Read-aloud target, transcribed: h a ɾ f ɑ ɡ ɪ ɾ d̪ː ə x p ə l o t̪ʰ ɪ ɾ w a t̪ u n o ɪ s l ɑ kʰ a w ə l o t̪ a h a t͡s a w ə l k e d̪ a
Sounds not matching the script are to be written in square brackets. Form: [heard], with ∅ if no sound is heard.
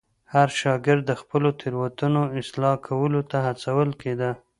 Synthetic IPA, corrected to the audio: h a ɾ [ʃ] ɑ ɡ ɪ ɾ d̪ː ə x p ə l o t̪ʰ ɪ ɾ w a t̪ u n o ɪ s l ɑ kʰ a w ə l o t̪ a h a t͡s a w ə l k e d̪ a